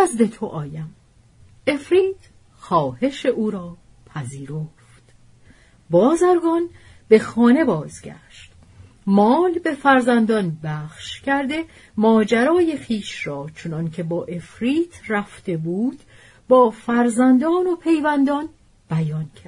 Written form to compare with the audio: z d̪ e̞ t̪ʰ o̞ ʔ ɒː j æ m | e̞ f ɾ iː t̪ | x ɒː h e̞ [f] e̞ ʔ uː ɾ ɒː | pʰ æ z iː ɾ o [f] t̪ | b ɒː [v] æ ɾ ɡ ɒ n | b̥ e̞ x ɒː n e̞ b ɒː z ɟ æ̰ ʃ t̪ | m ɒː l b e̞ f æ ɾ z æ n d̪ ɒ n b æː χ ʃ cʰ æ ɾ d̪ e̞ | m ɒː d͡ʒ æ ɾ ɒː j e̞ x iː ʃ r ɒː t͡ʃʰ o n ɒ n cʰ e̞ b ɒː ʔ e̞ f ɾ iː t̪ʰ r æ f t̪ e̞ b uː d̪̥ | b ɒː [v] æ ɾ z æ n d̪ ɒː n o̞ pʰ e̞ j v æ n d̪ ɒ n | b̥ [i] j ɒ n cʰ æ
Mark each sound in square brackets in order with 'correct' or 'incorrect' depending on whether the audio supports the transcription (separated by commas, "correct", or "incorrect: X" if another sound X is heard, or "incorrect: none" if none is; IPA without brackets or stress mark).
incorrect: ʃ, correct, incorrect: z, incorrect: f, incorrect: æ